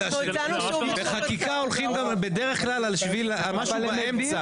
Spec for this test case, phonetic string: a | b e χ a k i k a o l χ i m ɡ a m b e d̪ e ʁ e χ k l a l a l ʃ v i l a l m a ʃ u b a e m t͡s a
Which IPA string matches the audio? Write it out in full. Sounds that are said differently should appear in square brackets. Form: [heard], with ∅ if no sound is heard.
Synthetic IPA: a | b e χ a k i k a o l χ i m ɡ a m b e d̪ e ʁ e χ k l a l a l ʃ v i l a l m a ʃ u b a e m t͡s a